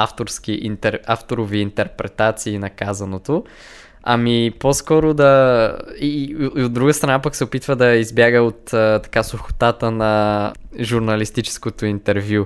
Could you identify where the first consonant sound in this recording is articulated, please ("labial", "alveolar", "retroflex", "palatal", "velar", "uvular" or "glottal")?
labial